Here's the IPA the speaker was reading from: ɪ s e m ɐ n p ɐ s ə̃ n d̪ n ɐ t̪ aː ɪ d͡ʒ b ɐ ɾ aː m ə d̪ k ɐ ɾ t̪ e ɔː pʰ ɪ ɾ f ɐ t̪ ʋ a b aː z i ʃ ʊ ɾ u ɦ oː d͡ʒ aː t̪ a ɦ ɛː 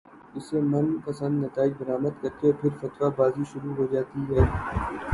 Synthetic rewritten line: ɪ s e m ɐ n p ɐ s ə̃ n d̪ n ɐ t̪ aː ɪ d͡ʒ b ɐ ɾ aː m ə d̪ k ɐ ɾ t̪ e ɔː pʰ ɪ ɾ f ɐ t̪ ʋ a b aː z i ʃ ʊ ɾ u ɦ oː d͡ʒ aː t̪ i ɦ ɛː